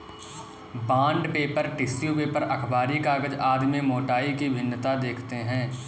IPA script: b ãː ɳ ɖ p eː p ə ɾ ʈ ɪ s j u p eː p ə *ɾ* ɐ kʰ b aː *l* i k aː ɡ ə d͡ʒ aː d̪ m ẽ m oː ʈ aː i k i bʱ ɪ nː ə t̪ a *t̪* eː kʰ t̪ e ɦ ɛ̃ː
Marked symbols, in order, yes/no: yes, no, no

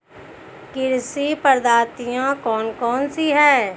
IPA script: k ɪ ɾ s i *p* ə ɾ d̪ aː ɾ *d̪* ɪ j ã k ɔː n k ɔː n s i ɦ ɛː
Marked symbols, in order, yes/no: yes, no

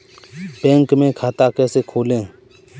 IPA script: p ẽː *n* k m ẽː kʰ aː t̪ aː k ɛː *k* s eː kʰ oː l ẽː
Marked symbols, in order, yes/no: no, no

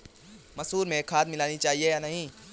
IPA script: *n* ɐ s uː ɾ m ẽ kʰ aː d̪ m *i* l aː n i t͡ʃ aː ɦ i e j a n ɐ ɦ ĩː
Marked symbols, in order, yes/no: no, no

